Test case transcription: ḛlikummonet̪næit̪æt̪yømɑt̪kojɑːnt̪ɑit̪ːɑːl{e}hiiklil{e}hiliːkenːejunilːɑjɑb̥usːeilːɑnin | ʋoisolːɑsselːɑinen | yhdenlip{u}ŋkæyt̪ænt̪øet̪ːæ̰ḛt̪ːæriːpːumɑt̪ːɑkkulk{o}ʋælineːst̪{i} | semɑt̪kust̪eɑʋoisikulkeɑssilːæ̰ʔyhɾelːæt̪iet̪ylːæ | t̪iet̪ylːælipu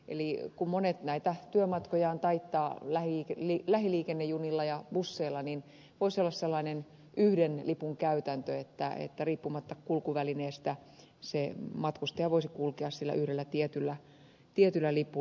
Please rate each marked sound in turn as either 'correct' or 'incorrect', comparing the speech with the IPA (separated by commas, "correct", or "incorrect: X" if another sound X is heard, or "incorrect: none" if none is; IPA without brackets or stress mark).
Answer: incorrect: æ, incorrect: æ, correct, incorrect: u, incorrect: æ